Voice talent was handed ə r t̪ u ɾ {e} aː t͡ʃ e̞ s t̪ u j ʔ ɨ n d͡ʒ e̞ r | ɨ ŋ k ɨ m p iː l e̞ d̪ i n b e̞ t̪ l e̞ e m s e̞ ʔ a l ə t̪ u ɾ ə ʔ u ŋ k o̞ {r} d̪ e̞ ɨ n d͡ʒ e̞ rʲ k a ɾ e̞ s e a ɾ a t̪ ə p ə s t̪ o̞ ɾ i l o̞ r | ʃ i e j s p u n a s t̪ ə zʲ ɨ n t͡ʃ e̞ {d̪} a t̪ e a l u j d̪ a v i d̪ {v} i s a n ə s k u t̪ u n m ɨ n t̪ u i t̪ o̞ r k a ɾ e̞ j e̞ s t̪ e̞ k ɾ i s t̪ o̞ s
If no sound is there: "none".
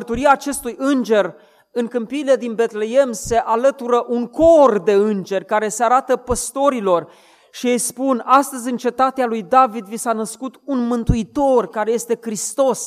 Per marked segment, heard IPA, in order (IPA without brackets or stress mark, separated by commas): i, r, t̪, v